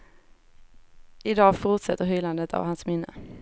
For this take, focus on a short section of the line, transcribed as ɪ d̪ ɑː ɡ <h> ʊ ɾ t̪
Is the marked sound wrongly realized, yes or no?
yes